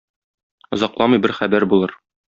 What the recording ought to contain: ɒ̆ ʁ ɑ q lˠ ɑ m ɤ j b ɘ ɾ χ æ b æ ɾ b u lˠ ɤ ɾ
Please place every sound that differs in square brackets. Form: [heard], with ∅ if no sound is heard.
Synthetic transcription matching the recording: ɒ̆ [z] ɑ q lˠ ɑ m ɤ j b ɘ ɾ χ æ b æ ɾ b u lˠ ɤ ɾ